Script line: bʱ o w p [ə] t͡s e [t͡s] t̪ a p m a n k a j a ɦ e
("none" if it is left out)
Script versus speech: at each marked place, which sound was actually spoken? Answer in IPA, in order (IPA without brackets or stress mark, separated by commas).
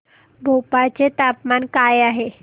a, none